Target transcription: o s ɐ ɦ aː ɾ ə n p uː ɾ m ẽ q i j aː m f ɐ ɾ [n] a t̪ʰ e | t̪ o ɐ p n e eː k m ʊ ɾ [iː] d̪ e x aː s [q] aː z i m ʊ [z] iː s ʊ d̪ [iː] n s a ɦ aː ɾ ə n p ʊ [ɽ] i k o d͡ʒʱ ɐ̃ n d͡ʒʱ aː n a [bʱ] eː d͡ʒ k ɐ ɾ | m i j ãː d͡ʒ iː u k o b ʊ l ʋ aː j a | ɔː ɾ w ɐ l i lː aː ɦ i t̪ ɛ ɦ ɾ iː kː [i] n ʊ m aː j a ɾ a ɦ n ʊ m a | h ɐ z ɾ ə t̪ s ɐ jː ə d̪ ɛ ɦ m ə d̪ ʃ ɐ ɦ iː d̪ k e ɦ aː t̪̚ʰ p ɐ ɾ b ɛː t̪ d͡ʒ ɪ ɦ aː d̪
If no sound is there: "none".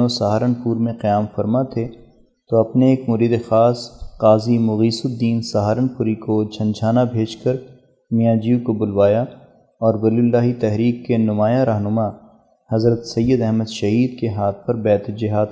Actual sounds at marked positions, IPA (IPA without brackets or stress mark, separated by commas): m, iː, q, ɣ, iː, ɾ, bʱ, e